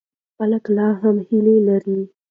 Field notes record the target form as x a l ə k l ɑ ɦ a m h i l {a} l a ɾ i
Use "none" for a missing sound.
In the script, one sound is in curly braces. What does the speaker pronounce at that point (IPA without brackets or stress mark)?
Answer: e